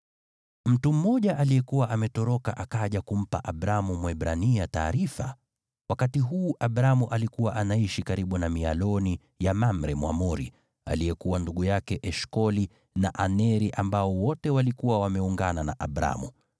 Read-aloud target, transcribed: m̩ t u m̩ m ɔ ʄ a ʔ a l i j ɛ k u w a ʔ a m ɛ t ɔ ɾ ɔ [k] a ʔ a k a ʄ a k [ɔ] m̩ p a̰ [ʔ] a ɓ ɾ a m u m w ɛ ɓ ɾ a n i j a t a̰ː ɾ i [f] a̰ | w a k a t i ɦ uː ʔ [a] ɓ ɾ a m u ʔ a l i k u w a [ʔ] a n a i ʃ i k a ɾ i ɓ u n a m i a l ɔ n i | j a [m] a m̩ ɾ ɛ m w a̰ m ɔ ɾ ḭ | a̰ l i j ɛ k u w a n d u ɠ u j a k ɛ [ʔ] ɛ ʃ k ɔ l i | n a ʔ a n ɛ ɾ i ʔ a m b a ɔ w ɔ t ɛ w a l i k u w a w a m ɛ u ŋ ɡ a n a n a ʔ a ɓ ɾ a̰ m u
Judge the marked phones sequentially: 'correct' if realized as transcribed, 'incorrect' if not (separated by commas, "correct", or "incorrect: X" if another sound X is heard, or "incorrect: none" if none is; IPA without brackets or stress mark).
correct, incorrect: u, correct, correct, correct, correct, correct, correct